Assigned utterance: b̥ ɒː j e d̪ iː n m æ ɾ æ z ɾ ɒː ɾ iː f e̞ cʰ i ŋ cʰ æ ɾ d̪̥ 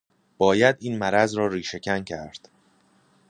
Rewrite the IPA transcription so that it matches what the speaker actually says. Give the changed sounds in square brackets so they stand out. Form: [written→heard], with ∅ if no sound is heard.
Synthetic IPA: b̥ ɒː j [e→æ] d̪ iː n m æ ɾ æ z ɾ ɒː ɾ iː [f→ʃ] e̞ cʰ [i→æ] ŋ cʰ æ ɾ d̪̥